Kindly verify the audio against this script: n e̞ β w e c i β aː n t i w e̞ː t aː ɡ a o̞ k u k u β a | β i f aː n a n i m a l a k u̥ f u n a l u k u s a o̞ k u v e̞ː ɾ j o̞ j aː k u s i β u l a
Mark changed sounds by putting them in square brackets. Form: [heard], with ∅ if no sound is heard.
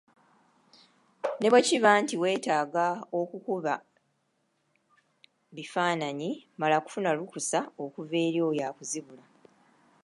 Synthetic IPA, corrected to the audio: n e̞ β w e c i β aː n t i w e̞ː t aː ɡ a o̞ k u k u β a | β i f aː n a [ɲ] i m a l a k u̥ f u n a l u k u s a o̞ k u v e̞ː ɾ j o̞ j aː k u [z] i β u l a

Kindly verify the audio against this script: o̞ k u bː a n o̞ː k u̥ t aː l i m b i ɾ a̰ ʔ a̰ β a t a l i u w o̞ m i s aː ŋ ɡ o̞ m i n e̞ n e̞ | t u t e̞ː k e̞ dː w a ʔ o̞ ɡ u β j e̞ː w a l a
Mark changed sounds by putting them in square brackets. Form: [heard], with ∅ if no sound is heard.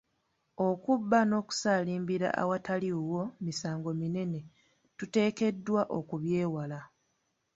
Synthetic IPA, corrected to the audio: o̞ k u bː a n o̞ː k u̥ [s] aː l [iː] m b i ɾ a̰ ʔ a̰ [w] a t a l i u w o̞ m i s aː ŋ ɡ o̞ m i n e̞ n e̞ | t u t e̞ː k e̞ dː w a ʔ o̞ [k] u β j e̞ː w a l a

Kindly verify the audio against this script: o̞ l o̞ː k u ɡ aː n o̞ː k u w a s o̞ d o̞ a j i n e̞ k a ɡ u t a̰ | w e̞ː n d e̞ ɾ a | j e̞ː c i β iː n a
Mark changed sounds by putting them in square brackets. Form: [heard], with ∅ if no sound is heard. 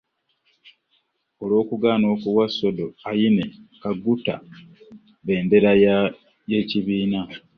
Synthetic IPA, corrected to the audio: o̞ l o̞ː k u ɡ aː n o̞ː k u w a s o̞ d o̞ a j i n e̞ k a ɡ u t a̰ | [β] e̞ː n d e̞ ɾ a | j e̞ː c i β iː n a

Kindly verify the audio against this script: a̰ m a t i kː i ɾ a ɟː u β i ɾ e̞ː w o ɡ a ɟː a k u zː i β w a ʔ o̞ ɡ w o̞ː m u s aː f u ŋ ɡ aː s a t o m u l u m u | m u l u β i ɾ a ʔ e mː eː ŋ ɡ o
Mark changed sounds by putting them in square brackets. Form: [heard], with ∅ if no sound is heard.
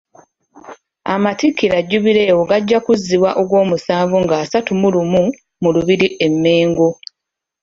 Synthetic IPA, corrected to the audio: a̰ m a t i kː i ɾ a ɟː u β i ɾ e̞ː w o ɡ a ɟː a k u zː i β w a ʔ o̞ ɡ w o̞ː m u s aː [v] u ŋ ɡ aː s a t [u] m u l u m u | m u l u β i ɾ [i] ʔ e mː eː ŋ ɡ o

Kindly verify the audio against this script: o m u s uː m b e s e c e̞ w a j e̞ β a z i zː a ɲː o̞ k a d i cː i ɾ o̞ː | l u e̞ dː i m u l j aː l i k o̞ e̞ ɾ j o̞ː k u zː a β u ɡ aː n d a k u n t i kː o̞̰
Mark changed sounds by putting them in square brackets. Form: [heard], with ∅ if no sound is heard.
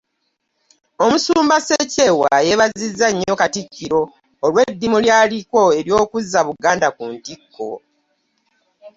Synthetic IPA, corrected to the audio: o m u s uː m b [a] s e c e̞ w a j e̞ β a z i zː a ɲː o̞ k a [t] i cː i ɾ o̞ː | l [w] e̞ dː i m u l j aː l i k o̞ e̞ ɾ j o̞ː k u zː a β u ɡ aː n d a k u n t i kː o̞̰

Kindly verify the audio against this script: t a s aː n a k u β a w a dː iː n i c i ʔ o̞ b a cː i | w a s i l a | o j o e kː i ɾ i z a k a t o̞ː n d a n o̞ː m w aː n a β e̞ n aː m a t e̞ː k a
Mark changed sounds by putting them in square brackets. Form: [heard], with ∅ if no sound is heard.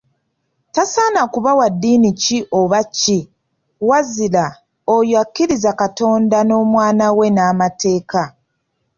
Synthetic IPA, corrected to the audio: t a s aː n a k u β a w a dː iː n i c i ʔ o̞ [β] a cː i | w a [z] i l a | o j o [a] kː i ɾ i z a k a t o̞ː n d a n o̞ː m w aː n a [w] e̞ n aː m a t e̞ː k a

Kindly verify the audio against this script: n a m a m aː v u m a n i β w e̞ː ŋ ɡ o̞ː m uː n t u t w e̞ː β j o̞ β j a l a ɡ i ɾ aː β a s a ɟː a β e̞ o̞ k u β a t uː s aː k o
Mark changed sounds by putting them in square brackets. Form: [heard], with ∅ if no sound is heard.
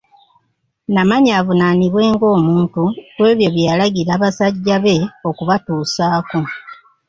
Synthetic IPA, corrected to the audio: n a m a [ɲ] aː v u [n] a n i β w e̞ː ŋ ɡ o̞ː m uː n t u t w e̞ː β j o̞ β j a l a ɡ i ɾ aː β a s a ɟː a β e̞ o̞ k u β a t uː s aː k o

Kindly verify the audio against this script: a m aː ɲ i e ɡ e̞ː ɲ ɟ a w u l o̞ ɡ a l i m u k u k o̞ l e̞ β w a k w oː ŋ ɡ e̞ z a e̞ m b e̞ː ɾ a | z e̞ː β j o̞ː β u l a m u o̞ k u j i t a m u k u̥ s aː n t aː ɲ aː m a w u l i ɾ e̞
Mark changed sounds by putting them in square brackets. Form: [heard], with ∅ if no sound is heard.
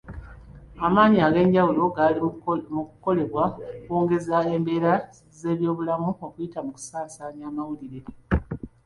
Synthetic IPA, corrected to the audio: a m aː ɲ i [a] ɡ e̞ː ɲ ɟ a w u l o̞ ɡ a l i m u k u k o̞ l e̞ β w a k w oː ŋ ɡ e̞ z a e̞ m b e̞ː ɾ a | z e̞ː β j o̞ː β u l a m u o̞ k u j i t a m u k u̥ s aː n [s] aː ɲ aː m a w u l i ɾ e̞

